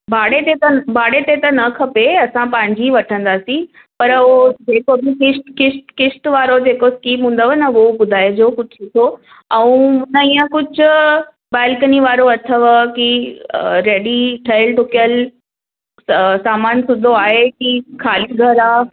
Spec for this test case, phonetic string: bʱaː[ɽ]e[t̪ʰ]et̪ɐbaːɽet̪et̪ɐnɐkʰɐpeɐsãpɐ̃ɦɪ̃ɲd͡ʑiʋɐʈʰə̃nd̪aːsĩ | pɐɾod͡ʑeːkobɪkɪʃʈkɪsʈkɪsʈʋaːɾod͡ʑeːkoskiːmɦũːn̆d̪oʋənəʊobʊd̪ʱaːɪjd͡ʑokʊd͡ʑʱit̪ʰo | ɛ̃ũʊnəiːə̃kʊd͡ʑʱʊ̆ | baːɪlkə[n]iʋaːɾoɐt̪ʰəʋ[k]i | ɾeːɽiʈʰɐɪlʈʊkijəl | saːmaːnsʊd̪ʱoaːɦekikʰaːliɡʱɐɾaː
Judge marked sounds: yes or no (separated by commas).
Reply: yes, no, yes, yes